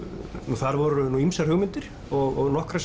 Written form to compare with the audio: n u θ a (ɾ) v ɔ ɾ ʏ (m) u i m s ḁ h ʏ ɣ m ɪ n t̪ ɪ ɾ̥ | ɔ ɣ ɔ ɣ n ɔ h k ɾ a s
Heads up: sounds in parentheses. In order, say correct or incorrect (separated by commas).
correct, incorrect